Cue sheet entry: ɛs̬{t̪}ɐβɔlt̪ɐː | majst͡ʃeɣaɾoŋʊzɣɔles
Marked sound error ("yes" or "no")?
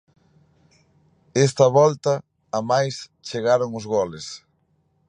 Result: no